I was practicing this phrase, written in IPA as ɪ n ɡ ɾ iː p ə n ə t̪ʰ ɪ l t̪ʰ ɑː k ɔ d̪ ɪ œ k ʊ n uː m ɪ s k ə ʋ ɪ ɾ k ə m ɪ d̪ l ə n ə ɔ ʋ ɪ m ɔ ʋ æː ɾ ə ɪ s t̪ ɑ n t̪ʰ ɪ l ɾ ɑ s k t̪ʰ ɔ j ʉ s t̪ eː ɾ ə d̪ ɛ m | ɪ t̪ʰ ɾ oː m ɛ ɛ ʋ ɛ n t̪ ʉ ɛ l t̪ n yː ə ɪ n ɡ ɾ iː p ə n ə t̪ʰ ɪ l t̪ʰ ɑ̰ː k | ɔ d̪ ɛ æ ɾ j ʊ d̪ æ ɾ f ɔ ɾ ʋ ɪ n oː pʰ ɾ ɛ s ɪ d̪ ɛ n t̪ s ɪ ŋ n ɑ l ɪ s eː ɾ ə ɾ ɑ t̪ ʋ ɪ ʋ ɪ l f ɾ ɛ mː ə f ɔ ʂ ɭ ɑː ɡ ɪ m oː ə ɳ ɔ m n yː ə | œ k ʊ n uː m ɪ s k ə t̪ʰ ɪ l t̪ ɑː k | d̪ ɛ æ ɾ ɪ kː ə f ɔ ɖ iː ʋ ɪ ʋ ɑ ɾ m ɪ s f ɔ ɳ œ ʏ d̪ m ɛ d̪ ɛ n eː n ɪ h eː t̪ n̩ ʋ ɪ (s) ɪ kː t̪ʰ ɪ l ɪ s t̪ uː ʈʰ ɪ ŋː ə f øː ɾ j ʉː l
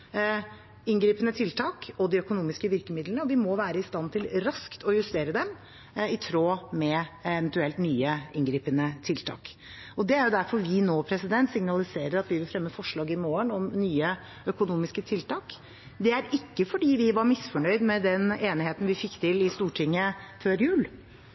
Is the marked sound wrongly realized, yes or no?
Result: yes